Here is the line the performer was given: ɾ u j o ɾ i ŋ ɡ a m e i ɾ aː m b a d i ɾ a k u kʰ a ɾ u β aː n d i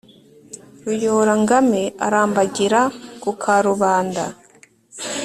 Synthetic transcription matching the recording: ɾ u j o ɾ a ŋ ɡ a m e a ɾ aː m b a ɟ i ɾ a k u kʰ a ɾ u β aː n d a